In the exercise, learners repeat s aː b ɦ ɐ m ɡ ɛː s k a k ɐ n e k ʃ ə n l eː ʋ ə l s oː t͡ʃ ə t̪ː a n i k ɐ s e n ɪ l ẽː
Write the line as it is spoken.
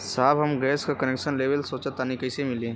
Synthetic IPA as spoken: s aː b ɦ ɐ m ɡ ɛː s k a k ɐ n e k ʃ ə n l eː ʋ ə l s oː t͡ʃ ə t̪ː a n i k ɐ s e m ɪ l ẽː